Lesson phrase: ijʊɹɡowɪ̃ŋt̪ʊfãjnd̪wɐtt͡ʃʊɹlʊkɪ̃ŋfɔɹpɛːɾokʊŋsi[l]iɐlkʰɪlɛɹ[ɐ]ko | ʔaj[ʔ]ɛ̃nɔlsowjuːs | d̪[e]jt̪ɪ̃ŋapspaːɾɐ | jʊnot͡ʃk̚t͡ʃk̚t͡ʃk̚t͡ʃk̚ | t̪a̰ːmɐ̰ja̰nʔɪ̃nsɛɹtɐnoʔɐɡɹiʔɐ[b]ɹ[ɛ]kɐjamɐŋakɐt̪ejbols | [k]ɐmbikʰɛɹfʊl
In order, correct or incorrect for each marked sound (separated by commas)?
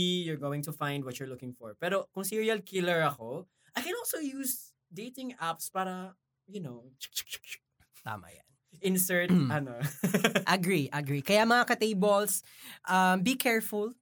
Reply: incorrect, correct, incorrect, correct, incorrect, incorrect, incorrect